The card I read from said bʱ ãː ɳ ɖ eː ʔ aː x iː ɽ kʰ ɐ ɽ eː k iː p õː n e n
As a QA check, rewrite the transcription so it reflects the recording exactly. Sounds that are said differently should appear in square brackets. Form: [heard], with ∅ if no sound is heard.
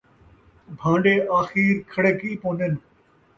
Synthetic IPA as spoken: bʱ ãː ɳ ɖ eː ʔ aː x iː [ɾ] kʰ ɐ ɽ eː k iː p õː n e n